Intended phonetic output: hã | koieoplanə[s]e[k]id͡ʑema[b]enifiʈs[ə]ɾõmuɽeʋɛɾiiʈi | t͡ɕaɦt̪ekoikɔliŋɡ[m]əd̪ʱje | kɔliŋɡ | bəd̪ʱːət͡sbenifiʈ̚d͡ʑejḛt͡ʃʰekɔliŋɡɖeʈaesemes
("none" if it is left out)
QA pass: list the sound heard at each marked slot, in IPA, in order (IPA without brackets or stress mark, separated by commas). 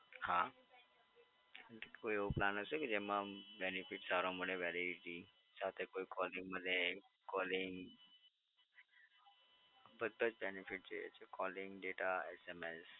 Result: s, k, b, a, m